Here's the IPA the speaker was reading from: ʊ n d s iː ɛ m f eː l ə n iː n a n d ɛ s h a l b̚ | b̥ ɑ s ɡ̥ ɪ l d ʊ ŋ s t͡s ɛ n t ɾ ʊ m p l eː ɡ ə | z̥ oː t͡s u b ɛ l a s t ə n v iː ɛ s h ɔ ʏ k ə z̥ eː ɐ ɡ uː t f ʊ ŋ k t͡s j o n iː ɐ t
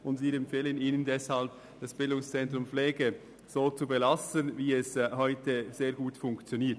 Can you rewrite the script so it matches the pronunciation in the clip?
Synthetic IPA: ʊ n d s iː ɛ m f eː l ə n iː n ə n d ɛ s h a l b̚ | d̥ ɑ s b̥ ɪ l d ʊ ŋ s t͡s ɛ n t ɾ ʊ m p l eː ɡ ə | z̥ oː t͡s u b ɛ l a s t ə n v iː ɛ s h ɔ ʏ t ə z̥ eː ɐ ɡ uː t f ʊ ŋ k t͡s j o n iː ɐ t